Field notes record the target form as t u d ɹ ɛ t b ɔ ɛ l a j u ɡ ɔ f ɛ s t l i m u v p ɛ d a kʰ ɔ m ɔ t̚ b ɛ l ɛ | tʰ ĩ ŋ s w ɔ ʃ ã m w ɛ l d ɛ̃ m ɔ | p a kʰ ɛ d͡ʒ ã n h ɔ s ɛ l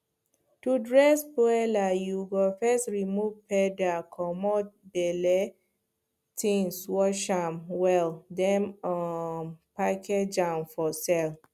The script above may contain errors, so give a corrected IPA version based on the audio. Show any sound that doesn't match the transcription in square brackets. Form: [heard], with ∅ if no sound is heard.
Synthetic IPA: t u d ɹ ɛ [s] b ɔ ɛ l a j u ɡ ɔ f ɛ s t [ɹ] i m u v p ɛ d a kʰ ɔ m ɔ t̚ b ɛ l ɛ | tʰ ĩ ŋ s w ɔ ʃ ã m w ɛ l d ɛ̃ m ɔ | p a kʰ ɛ d͡ʒ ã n [f] ɔ s ɛ l